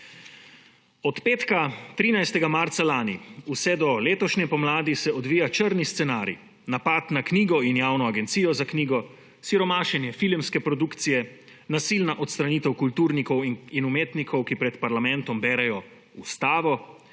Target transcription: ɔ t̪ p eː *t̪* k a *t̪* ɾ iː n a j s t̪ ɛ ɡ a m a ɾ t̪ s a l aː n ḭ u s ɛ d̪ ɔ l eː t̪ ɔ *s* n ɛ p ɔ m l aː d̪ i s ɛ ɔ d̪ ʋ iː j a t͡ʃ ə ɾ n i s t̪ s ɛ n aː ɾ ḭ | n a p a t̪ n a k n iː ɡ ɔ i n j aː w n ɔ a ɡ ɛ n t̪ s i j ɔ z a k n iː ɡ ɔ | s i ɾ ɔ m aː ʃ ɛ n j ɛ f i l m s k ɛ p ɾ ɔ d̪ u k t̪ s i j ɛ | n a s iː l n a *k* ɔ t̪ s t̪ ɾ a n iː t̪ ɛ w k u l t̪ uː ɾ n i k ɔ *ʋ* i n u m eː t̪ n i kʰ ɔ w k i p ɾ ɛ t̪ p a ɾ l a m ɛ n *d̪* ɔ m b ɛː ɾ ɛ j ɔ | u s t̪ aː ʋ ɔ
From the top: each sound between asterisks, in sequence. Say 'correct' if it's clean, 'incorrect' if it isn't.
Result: correct, correct, incorrect: ʃ, incorrect: ʔ, incorrect: w, incorrect: t̪

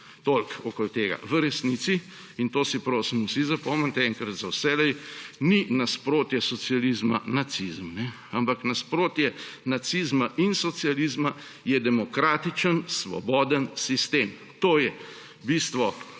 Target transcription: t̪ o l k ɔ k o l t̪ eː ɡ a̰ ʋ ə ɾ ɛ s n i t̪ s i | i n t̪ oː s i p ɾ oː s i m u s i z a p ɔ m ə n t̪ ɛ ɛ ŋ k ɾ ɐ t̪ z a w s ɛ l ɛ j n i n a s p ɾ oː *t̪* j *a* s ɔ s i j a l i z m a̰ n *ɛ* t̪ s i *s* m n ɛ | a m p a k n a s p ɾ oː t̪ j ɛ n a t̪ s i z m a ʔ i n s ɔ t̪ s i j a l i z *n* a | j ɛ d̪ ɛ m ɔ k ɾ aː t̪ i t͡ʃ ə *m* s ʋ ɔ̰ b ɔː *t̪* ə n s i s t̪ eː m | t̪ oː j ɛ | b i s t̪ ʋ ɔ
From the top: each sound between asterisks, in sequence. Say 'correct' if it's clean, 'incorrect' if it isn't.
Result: correct, incorrect: ɛ, incorrect: a, incorrect: z, incorrect: m, incorrect: n, incorrect: d̪

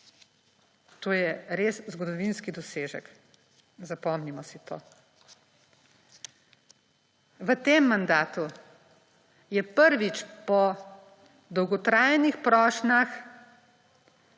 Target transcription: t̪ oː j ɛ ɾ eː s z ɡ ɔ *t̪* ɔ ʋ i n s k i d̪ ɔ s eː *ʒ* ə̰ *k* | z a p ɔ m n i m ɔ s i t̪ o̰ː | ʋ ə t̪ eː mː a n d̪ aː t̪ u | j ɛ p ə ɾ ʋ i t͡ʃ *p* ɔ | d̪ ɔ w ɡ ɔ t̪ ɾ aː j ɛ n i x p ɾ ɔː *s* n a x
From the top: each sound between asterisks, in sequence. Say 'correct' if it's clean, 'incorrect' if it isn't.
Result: incorrect: d̪, correct, correct, correct, incorrect: ʃ

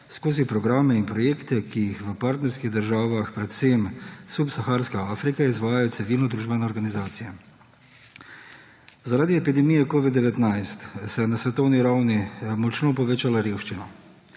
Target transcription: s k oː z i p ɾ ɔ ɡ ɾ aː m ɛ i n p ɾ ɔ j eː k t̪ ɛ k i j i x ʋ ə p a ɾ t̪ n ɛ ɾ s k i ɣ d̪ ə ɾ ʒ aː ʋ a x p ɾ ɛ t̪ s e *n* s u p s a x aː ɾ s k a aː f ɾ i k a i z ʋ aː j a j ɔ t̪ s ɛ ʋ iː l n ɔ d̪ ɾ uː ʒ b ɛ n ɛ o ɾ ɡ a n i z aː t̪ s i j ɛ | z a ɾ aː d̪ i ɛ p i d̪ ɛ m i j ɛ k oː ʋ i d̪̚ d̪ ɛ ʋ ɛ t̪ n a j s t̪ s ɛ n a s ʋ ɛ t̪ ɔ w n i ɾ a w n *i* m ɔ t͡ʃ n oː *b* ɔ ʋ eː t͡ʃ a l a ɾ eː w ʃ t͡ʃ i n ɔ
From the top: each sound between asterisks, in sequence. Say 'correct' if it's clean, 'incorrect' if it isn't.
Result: incorrect: m, correct, incorrect: p

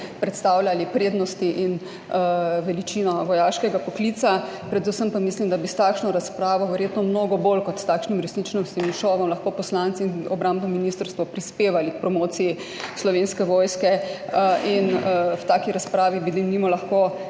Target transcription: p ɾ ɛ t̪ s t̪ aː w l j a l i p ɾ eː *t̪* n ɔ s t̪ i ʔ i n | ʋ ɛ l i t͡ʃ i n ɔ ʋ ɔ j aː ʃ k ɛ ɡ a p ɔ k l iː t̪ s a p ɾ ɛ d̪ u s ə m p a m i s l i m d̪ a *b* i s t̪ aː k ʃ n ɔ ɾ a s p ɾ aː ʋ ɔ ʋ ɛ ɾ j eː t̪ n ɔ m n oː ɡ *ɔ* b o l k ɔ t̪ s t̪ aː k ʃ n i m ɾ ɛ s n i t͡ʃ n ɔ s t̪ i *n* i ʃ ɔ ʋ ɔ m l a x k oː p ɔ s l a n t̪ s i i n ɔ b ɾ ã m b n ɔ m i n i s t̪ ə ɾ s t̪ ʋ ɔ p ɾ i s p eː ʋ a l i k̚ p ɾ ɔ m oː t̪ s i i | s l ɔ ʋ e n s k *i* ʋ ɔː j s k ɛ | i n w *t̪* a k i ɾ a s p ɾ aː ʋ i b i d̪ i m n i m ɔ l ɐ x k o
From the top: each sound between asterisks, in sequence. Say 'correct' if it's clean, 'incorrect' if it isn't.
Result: incorrect: d̪, correct, correct, incorrect: m, incorrect: ɛ, correct

